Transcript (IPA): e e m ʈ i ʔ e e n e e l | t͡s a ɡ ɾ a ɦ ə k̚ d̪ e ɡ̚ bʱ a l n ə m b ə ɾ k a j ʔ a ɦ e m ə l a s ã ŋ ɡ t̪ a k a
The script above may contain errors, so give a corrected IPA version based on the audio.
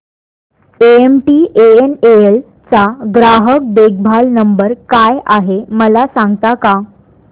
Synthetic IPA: e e m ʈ i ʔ e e n e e l | t͡s a ɡ ɾ a ɦ ə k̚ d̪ e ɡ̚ bʱ a l n ə m b ə ɾ k a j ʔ a ɦ e m ə l a s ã ŋ ɡ t̪ a k a